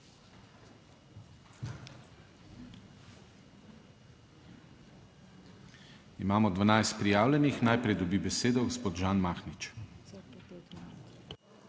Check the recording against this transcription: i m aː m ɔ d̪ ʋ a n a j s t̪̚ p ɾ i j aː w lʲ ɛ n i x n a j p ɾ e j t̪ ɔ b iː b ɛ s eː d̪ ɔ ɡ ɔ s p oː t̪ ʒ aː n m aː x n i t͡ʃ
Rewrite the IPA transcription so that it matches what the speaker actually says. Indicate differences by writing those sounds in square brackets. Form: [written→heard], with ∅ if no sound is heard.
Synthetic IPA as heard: i m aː m ɔ d̪ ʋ a n a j s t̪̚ p ɾ i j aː w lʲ ɛ n i x n a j p ɾ [e→ɛ] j [t̪→d̪] ɔ b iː b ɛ s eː d̪ ɔ ɡ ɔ s p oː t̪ ʒ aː n m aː x n i t͡ʃ